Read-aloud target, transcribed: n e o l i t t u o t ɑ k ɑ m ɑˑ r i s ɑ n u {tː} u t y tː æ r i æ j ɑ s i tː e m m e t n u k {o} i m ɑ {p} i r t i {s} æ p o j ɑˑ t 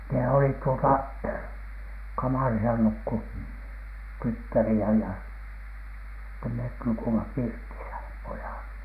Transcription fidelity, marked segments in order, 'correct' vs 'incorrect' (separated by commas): incorrect, incorrect, correct, correct